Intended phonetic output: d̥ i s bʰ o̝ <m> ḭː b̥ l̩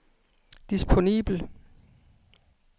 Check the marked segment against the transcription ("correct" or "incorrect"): incorrect